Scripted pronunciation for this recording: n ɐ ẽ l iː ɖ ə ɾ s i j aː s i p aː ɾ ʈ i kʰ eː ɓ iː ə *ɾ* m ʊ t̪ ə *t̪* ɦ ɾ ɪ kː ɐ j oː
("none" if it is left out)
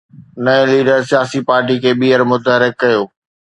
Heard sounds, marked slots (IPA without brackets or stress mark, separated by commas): ɾ, none